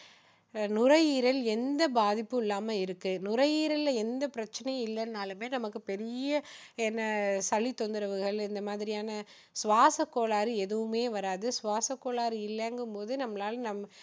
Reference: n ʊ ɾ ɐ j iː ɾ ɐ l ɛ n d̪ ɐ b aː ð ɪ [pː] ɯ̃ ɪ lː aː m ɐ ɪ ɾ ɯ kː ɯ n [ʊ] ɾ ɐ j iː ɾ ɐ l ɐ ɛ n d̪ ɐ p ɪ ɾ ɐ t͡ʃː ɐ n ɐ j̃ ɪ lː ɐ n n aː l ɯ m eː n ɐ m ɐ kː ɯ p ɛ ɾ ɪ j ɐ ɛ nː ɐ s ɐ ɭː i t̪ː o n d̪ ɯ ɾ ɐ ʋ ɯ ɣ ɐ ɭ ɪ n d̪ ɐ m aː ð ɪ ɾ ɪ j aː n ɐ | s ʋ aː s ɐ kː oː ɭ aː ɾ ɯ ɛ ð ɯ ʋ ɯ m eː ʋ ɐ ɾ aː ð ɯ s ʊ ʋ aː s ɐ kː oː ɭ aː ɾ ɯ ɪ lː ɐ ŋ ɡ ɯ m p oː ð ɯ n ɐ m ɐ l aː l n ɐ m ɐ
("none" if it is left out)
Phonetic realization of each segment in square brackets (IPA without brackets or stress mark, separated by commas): pː, ʊ